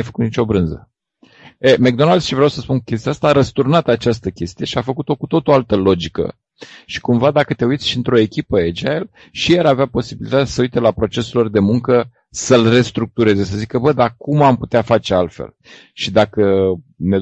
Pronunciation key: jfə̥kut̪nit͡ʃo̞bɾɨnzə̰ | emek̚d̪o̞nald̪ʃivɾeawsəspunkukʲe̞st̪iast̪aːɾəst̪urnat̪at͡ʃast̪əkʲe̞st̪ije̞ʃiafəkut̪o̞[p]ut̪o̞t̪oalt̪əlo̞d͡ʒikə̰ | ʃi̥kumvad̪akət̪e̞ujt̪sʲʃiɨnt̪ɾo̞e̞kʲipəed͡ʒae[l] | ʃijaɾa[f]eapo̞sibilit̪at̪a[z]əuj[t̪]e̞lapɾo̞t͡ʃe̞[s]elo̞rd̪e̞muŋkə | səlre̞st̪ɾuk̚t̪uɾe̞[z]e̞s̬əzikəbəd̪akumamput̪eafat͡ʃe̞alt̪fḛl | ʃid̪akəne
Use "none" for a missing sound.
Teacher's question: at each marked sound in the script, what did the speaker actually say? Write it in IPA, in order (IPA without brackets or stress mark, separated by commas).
k, l, v, s, t̪, s, z